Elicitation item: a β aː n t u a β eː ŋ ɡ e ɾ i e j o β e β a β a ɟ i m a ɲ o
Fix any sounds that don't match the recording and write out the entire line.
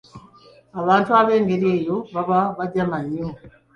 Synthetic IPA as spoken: a β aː n t u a β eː ŋ ɡ e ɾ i e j o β a β a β a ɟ a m a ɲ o